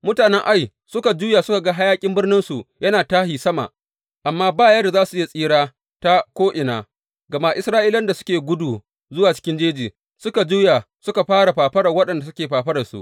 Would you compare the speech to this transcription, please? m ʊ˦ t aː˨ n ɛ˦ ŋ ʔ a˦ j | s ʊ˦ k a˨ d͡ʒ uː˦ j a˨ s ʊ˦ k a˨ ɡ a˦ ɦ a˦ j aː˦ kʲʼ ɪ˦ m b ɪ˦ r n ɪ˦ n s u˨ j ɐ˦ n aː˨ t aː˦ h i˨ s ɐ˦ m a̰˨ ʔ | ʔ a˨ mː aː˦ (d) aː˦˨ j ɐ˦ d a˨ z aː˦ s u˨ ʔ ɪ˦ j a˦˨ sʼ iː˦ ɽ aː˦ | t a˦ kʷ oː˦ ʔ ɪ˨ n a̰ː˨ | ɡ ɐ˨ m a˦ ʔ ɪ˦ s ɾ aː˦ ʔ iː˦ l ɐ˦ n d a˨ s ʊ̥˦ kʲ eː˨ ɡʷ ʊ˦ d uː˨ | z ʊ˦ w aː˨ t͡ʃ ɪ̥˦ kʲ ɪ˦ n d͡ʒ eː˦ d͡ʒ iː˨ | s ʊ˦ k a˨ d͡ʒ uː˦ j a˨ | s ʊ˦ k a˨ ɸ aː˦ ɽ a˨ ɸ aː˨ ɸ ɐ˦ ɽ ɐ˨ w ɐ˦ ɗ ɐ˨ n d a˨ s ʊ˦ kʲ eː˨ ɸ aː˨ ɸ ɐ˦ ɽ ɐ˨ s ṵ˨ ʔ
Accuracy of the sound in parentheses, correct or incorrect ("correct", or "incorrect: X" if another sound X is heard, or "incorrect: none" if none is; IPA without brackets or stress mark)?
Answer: incorrect: b